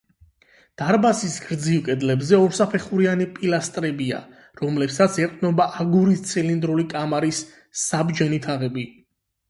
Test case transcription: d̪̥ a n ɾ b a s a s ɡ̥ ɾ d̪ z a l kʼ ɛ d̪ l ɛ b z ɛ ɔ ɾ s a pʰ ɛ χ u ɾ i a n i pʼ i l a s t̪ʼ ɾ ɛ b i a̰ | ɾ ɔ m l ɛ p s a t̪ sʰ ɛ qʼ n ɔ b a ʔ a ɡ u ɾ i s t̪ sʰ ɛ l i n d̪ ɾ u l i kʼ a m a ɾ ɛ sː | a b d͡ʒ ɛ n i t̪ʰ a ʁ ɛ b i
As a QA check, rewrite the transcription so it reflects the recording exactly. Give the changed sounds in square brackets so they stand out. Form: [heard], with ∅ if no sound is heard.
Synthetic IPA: d̪̥ a [∅] ɾ b a s [i] s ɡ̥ ɾ d̪ z [i] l kʼ ɛ d̪ l ɛ b z ɛ ɔ ɾ s a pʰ ɛ χ u ɾ i a n i pʼ i l a s t̪ʼ ɾ ɛ b i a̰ | ɾ ɔ m l ɛ p s a t̪ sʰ ɛ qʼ n ɔ b a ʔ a ɡ u ɾ i s t̪ sʰ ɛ l i n d̪ ɾ u l i kʼ a m a ɾ [i] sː | a b d͡ʒ ɛ n i t̪ʰ a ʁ ɛ b i